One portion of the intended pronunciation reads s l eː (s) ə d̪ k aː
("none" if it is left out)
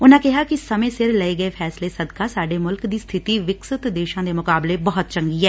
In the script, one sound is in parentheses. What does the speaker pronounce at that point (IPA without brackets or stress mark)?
s